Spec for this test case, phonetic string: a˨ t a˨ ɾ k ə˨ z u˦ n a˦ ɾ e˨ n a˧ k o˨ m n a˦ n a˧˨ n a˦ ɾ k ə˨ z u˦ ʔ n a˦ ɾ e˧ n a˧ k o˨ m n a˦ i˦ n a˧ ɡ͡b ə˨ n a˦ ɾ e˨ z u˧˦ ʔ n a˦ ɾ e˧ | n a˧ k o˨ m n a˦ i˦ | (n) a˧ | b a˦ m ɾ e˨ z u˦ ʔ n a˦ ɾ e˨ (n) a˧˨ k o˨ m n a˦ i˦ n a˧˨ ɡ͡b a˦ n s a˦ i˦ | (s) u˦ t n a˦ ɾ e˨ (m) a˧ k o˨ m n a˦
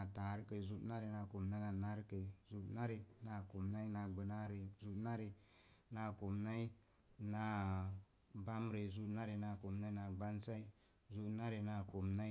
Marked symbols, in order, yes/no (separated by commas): yes, yes, no, no